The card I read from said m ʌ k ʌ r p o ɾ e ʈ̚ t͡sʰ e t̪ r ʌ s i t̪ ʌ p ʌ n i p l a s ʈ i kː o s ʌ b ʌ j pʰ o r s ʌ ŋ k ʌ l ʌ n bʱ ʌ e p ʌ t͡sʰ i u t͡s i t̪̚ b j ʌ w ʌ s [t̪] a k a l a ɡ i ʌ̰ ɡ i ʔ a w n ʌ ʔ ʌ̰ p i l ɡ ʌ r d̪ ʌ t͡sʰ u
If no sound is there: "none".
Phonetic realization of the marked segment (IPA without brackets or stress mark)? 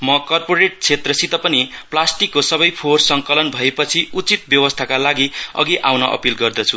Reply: t̪ʰ